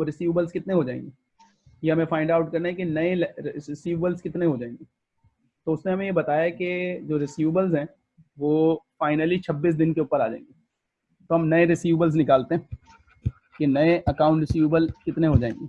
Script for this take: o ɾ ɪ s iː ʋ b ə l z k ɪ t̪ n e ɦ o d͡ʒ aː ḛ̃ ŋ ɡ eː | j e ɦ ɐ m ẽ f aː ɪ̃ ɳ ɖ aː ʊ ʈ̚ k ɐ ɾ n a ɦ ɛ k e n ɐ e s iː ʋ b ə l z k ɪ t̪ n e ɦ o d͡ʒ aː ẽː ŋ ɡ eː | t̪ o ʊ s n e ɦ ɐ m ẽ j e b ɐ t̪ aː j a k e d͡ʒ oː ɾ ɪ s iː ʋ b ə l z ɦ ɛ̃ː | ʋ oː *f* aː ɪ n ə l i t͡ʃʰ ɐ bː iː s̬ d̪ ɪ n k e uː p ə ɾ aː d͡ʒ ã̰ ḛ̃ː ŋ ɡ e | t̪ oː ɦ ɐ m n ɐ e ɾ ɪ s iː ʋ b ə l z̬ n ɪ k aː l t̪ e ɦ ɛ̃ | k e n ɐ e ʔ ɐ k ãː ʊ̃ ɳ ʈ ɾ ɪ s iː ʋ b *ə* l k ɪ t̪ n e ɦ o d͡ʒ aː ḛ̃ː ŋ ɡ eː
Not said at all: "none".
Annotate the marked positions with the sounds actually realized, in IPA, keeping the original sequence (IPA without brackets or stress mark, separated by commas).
f, ə